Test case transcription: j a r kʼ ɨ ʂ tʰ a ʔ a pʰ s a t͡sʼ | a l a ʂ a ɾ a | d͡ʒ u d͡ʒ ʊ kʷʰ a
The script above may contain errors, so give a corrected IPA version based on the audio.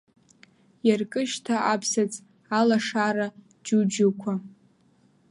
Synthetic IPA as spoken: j a r kʼ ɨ ʃ tʰ a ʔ a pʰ s a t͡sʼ | a l a ʂ a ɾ a | d͡ʒ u d͡ʒ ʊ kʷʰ a

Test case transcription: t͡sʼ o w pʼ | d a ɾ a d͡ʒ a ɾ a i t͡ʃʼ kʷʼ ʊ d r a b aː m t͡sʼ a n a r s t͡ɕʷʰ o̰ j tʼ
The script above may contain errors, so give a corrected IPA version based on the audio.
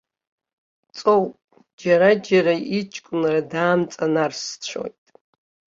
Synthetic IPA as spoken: t͡sʼ o w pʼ | d͡ʒ a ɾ a d͡ʒ a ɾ a i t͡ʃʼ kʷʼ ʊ n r a d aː m t͡sʼ a n a r s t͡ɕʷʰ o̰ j tʼ

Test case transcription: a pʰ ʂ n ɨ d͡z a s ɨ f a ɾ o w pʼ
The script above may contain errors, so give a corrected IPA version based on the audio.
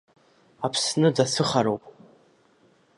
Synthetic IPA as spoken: a pʰ s n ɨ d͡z a s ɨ χ a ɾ o w pʼ

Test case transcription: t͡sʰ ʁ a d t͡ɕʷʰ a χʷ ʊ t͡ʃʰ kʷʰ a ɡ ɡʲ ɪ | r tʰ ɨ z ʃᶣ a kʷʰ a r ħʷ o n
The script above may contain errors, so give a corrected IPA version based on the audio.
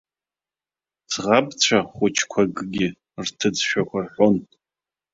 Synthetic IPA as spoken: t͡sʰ ʁ a b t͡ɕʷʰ a χʷ ʊ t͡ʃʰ kʷʰ a ɡ ɡʲ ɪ | r tʰ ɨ d͡z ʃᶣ a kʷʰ a r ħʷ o n

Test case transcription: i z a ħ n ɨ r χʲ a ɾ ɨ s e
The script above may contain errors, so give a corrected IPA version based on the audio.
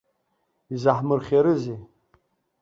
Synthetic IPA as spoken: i z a ħ m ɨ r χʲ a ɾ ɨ z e

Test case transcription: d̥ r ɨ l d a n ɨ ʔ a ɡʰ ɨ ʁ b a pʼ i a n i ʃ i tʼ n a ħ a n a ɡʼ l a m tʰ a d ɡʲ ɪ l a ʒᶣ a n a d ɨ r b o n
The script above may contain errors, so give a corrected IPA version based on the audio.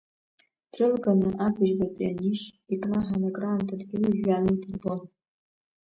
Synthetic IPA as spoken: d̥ r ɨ l ɡ a n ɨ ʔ a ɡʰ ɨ ʒ b a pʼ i a n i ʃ i kʼ n a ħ a n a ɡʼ r a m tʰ a d ɡʲ ɪ l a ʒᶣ a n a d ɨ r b o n

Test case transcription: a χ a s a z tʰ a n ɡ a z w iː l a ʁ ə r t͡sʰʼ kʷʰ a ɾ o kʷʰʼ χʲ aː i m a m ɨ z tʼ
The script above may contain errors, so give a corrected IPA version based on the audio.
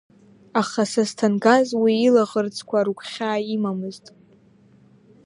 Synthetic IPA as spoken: a χ a s a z tʰ a n ɡ a z w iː l a ʁ ə r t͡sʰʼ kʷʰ a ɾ u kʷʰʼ χʲ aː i m a m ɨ z tʼ

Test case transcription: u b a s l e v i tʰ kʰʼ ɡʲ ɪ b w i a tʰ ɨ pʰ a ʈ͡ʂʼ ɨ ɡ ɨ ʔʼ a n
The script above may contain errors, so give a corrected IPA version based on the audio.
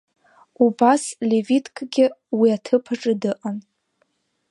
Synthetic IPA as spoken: u b a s l e v i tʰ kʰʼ ɡʲ ɪ w i a tʰ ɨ pʰ a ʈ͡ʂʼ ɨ d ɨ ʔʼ a n

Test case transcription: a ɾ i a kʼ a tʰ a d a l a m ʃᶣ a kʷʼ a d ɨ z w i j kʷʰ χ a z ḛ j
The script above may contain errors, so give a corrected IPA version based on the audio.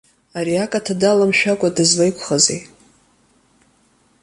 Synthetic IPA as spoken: a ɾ i a kʼ a tʰ a d a l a m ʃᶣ a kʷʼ a d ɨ z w a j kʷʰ χ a z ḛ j

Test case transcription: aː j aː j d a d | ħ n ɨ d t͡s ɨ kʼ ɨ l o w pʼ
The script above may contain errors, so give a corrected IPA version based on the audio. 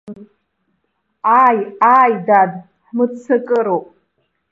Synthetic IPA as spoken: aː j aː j d a d | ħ m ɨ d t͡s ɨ kʼ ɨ ɾ o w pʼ

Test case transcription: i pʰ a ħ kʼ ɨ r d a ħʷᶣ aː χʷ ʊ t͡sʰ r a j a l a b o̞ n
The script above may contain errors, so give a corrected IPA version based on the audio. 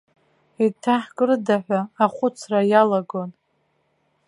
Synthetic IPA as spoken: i tʰ a ħ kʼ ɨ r d a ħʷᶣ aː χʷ ʊ t͡sʰ r a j a l a ɡ o̞ n

